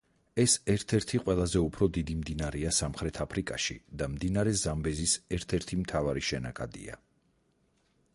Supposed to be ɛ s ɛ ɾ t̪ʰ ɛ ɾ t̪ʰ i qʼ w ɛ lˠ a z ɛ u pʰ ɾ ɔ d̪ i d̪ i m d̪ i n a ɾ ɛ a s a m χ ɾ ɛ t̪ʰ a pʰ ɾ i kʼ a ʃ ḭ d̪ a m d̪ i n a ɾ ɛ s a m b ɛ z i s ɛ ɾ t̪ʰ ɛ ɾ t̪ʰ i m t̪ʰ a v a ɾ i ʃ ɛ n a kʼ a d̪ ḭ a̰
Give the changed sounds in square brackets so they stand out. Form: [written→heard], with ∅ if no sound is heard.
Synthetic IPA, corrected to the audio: ɛ s ɛ ɾ t̪ʰ ɛ ɾ t̪ʰ i qʼ w ɛ lˠ a z ɛ u pʰ ɾ ɔ d̪ i d̪ i m d̪ i n a ɾ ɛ a s a m χ ɾ ɛ t̪ʰ a pʰ ɾ i kʼ a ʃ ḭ d̪ a m d̪ i n a ɾ ɛ [s→z] a m b ɛ z i s ɛ ɾ t̪ʰ ɛ ɾ t̪ʰ i m t̪ʰ a v a ɾ i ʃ ɛ n a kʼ a d̪ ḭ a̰